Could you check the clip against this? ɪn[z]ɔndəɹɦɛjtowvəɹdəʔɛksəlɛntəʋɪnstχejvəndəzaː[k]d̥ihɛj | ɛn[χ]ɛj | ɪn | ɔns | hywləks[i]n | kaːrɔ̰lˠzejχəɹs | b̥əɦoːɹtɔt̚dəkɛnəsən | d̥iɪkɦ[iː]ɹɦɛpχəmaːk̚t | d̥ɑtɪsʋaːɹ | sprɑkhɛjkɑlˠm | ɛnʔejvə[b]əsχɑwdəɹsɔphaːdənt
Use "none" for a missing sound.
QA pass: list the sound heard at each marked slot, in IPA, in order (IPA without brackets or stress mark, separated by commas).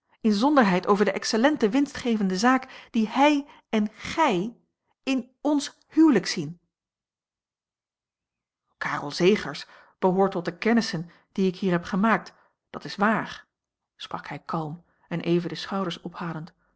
z, k, χ, i, iː, d